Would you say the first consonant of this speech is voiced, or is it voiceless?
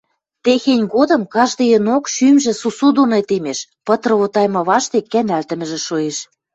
voiceless